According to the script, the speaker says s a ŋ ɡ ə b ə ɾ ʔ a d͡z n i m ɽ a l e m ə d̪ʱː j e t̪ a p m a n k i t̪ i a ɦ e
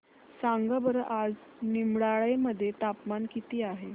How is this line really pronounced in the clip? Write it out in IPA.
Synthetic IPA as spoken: s a ŋ ɡ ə b ə ɾ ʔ a d͡z n i m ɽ a ɭ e m ə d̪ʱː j e t̪ a p m a n k i t̪ iː a ɦ e